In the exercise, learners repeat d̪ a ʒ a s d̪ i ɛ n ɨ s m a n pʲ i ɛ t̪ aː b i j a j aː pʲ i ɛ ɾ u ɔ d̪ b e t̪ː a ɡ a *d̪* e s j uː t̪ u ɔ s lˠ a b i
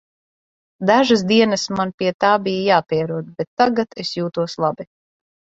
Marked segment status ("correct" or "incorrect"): incorrect